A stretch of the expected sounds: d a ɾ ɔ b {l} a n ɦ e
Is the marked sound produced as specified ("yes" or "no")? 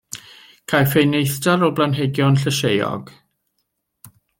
yes